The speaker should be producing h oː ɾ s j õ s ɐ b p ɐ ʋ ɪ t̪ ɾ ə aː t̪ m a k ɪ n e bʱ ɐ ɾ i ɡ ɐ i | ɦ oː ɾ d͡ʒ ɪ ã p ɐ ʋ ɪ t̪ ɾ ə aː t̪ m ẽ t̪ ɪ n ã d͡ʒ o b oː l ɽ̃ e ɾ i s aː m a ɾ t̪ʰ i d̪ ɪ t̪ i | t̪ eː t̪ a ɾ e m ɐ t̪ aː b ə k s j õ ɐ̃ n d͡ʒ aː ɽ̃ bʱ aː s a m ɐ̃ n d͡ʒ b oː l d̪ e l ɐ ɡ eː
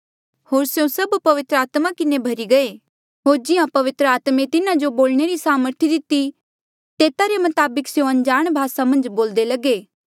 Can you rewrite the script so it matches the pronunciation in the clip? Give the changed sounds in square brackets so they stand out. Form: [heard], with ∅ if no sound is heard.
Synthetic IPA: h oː ɾ s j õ s ɐ b p ɐ ʋ ɪ t̪ ɾ ə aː t̪ m a k ɪ n e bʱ ɐ ɾ i ɡ ɐ [e] | ɦ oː ɾ d͡ʒ ɪ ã p ɐ ʋ ɪ t̪ ɾ ə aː t̪ m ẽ t̪ ɪ n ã d͡ʒ o b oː l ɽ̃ e ɾ i s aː m [ə] ɾ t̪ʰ i d̪ ɪ t̪ i | t̪ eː t̪ a ɾ e m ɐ t̪ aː b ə k s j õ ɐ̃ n d͡ʒ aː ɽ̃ bʱ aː s a m ɐ̃ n d͡ʒ b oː l d̪ e l ɐ ɡ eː